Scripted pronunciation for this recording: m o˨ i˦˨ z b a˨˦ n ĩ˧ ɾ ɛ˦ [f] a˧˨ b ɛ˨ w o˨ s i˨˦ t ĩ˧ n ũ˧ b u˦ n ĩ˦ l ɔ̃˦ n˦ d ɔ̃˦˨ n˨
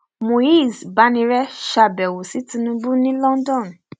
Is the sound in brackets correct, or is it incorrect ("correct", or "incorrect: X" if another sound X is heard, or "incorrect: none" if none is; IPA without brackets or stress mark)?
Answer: incorrect: ʃ